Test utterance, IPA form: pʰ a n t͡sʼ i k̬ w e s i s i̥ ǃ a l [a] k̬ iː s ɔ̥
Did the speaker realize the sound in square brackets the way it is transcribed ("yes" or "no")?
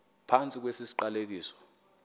no